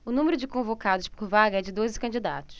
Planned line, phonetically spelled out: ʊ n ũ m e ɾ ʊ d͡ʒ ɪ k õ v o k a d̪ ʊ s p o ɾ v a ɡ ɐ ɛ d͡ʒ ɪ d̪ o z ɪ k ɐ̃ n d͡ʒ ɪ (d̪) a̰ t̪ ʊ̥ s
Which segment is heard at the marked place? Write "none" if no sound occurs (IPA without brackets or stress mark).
d̪